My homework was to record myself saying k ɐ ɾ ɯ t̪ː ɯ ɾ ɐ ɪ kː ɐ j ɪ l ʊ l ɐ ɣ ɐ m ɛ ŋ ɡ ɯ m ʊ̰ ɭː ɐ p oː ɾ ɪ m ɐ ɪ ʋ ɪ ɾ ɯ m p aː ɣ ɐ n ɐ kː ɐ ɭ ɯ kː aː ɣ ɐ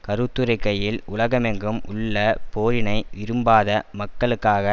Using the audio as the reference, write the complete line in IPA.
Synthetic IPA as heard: k ɐ ɾ ɯ t̪ː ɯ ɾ ɐ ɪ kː ɐ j ɪ l ʊ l ɐ ɣ ɐ m ɛ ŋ ɡ ɯ m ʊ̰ ɭː ɐ p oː ɾ ɪ n ɐ ɪ ʋ ɪ ɾ ɯ m b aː ð ɐ m ɐ kː ɐ ɭ ɯ kː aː ɣ ɐ